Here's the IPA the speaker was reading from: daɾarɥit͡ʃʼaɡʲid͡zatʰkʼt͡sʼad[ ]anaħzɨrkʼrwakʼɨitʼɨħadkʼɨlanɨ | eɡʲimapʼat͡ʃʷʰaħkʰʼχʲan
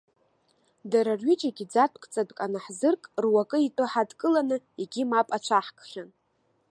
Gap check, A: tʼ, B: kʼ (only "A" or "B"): B